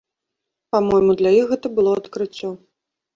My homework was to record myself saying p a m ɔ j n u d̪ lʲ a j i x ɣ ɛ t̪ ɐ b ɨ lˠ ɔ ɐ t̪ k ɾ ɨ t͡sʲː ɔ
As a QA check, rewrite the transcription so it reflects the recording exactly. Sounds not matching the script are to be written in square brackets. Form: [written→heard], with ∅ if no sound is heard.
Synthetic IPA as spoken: p a m ɔ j [n→m] u d̪ lʲ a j i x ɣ ɛ t̪ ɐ b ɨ lˠ ɔ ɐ t̪ k ɾ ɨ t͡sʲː ɔ